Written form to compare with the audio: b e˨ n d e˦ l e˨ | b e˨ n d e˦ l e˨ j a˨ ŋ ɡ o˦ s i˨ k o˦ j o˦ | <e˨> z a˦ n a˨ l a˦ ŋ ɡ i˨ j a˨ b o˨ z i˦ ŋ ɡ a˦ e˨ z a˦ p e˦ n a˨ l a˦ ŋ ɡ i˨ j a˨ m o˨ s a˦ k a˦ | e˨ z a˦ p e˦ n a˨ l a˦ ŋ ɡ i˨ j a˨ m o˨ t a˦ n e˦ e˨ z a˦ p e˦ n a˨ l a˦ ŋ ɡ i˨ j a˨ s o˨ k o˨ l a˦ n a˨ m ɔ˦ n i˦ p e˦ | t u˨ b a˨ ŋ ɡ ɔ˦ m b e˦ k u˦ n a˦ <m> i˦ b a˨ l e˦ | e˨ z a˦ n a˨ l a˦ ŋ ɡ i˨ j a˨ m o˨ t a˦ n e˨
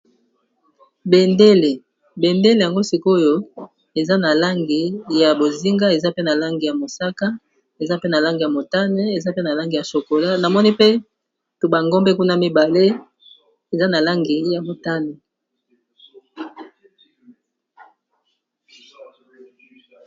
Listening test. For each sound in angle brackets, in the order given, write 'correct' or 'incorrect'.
correct, correct

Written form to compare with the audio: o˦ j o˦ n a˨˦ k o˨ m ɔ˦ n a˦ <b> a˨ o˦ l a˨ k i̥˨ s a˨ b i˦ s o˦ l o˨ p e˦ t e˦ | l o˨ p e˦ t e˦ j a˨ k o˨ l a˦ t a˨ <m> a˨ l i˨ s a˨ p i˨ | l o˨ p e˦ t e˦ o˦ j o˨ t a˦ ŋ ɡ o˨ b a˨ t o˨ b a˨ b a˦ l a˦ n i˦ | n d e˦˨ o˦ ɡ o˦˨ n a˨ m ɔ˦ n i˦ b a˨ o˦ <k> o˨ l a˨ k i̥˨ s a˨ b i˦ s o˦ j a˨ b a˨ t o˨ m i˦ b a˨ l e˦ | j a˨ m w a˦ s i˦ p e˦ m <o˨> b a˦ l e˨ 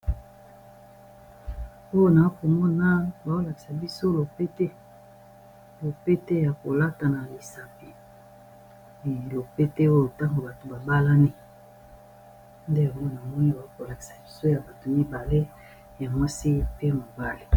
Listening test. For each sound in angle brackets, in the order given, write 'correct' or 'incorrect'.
correct, incorrect: n, correct, correct

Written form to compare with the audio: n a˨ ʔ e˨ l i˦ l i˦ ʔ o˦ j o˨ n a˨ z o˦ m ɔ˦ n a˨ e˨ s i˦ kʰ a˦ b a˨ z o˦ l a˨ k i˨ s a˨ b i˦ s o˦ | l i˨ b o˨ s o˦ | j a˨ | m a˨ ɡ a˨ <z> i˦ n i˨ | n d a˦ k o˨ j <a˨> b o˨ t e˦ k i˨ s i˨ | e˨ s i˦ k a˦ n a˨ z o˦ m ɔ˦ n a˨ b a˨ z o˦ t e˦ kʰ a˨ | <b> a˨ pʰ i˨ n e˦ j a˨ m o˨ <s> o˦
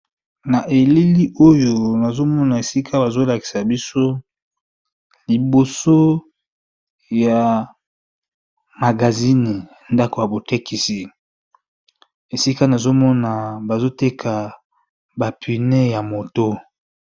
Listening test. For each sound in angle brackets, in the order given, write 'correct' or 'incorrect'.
correct, correct, correct, incorrect: t

